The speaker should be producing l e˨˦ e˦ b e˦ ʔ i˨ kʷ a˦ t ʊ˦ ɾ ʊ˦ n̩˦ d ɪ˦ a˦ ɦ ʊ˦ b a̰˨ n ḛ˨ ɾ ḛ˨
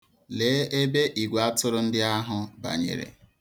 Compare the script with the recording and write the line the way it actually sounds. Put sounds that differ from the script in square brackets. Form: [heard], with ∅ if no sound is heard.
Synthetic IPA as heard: l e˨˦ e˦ b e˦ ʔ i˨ [ɡʷ] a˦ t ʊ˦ ɾ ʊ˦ n̩˦ d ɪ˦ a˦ ɦ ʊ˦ b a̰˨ [ɲ] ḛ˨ ɾ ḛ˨